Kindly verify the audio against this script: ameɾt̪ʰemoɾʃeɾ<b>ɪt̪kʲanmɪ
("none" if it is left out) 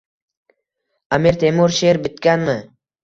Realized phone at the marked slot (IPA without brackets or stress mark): b